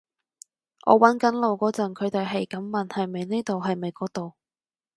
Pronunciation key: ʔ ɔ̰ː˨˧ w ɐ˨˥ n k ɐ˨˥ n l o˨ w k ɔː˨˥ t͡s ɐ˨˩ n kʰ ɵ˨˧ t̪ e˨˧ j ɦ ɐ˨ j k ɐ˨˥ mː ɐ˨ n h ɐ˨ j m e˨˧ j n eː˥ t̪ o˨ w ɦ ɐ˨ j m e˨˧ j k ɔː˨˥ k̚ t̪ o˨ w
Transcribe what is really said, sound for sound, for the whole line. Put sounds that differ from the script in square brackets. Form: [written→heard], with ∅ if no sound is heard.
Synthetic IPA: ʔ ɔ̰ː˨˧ w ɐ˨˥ n k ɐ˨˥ n l o˨ w k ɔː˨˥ t͡s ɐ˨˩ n kʰ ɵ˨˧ t̪ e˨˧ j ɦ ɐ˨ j k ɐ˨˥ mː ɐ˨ n h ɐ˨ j m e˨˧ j n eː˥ t̪ o˨ w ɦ ɐ˨ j m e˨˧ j k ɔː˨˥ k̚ t̪ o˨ w